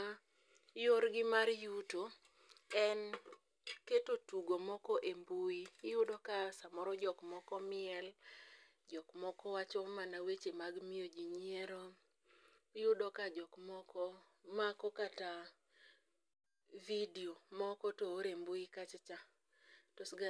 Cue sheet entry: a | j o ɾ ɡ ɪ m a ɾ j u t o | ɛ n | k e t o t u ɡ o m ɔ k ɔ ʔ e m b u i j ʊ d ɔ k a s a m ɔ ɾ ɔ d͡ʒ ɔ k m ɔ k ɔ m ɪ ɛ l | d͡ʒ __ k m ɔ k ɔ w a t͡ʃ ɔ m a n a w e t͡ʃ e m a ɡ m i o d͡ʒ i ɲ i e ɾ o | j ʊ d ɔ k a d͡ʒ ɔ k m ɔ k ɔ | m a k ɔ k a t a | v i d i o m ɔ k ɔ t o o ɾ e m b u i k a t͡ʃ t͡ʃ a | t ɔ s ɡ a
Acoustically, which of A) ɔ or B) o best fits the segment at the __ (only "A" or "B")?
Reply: A